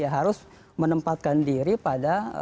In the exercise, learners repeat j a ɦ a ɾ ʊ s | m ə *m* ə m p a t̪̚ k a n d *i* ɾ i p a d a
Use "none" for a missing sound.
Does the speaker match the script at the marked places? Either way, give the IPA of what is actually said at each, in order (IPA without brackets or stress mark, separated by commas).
n, i